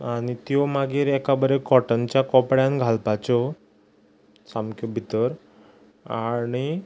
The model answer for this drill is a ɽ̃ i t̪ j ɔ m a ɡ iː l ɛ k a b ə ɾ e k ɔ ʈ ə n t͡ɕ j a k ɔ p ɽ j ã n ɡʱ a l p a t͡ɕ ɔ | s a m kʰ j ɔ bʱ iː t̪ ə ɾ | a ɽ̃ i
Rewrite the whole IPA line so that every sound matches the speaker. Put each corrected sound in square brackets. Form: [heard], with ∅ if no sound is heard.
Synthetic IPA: a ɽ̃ i t̪ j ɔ m a ɡ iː [ɾ] ɛ k a b ə ɾ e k ɔ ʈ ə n t͡ɕ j a k ɔ p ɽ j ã n ɡʱ a l p a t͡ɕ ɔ | s a m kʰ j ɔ bʱ [i] t̪ ə ɾ | a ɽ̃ i